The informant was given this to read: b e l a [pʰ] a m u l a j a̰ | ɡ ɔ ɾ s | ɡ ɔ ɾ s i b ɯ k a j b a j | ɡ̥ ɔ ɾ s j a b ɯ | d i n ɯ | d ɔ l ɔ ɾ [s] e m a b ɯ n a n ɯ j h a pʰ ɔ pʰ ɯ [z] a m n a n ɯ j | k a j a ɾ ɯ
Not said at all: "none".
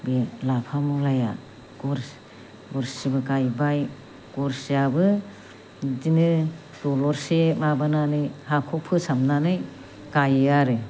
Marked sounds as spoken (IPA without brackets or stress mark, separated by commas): pʰ, s, s